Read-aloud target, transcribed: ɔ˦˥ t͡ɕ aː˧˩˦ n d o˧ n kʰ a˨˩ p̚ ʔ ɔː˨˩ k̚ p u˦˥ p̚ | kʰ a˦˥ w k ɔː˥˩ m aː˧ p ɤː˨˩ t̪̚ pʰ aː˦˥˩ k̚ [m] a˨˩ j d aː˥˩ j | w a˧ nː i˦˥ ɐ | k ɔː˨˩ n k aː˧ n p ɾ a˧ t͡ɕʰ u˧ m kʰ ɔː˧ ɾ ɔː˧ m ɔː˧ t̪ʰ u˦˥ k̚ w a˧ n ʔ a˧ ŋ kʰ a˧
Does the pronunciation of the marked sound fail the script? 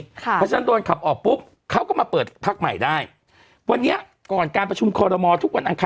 no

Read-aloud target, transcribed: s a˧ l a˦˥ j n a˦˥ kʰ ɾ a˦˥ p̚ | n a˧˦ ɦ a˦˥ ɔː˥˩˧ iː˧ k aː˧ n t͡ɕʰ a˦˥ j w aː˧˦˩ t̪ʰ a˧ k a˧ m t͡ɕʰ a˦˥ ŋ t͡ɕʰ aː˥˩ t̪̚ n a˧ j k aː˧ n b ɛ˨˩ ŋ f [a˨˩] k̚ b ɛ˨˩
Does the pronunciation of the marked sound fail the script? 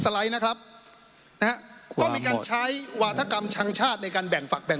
no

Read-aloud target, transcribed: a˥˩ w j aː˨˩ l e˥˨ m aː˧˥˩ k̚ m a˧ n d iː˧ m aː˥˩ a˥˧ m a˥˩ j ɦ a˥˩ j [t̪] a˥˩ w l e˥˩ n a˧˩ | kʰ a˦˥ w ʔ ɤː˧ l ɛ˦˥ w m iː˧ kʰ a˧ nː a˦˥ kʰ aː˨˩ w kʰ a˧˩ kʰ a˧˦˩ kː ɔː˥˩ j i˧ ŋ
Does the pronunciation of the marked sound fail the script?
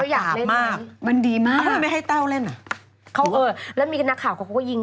no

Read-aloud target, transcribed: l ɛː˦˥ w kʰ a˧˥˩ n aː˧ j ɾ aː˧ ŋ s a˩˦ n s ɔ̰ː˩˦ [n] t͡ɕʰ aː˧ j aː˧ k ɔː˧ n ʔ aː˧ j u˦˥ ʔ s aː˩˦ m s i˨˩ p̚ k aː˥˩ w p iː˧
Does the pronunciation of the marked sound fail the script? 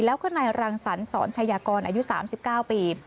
no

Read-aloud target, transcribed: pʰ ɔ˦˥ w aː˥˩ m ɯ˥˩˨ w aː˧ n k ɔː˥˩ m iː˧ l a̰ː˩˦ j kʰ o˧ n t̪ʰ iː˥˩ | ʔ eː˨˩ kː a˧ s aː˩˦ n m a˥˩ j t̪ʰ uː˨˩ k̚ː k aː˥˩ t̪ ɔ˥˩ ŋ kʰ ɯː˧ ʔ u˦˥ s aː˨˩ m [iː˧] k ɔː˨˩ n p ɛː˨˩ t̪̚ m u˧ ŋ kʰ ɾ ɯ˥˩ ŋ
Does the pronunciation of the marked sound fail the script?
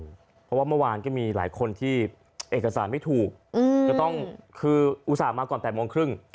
yes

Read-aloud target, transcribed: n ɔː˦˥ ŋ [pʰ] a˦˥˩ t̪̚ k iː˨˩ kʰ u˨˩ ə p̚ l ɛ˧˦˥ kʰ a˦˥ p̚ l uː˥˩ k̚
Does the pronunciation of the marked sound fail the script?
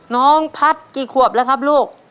no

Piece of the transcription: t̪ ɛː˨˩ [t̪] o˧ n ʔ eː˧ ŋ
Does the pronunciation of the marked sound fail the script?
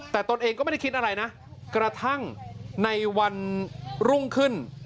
no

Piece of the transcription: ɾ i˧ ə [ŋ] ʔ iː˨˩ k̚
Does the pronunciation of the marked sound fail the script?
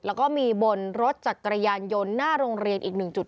yes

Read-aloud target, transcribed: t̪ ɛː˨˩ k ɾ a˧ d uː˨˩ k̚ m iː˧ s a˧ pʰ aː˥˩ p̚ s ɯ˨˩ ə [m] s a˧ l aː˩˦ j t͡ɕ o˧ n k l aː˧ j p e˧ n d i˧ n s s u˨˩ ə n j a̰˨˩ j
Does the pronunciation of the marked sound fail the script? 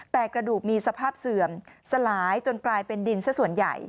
no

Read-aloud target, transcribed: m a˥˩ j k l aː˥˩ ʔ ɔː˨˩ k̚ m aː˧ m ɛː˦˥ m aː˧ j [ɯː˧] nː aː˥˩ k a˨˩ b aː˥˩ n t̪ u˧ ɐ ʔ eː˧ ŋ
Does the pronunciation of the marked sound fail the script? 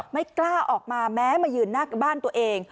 no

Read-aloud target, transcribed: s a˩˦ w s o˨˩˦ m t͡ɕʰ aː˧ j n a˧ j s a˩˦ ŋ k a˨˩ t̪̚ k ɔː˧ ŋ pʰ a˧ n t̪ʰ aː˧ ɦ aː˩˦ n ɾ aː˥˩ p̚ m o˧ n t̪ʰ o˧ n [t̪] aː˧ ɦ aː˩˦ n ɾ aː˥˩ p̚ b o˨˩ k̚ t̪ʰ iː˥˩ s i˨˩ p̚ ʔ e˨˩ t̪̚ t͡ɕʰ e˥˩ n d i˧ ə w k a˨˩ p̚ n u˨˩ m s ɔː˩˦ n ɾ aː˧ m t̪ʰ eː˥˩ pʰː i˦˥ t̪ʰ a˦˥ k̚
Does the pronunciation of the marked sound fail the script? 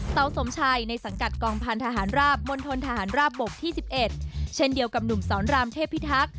yes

